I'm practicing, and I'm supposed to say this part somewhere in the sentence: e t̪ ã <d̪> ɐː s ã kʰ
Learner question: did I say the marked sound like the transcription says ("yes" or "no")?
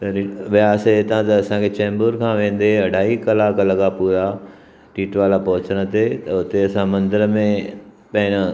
no